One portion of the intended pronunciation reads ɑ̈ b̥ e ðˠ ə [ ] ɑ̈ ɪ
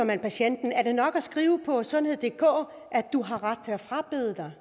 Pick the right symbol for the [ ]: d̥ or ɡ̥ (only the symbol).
d̥